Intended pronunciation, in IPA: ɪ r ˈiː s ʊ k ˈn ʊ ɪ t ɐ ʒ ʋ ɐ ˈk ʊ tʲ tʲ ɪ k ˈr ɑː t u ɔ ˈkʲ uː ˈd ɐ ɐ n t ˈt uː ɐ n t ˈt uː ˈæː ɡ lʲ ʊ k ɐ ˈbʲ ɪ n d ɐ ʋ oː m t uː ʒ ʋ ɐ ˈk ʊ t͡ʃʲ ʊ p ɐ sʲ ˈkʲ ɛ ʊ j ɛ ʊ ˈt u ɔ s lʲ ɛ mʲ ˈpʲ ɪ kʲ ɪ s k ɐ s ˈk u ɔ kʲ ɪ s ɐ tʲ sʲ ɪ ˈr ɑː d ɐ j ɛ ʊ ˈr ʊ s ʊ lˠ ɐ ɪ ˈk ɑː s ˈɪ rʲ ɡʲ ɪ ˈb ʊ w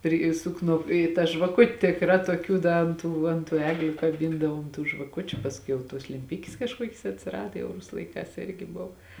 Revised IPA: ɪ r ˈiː s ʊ k ˈn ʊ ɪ t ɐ ʒ ʋ ɐ ˈk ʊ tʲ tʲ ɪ k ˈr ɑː t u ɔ ˈkʲ uː ˈd ɐ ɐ n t ˈt uː ɐ n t ˈt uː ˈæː ɡ lʲ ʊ k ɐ ˈbʲ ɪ n d ɐ ʋ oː m t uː ʒ ʋ ɐ ˈk ʊ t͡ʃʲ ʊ p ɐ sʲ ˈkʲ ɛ ʊ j ɛ ʊ ˈt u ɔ s lʲ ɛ mʲ ˈpʲ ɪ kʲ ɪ s k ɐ ʃ ˈk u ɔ kʲ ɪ s ɐ tʲ sʲ ɪ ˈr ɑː d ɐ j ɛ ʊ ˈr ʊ s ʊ lˠ ɐ ɪ ˈk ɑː s ˈɪ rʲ ɡʲ ɪ ˈb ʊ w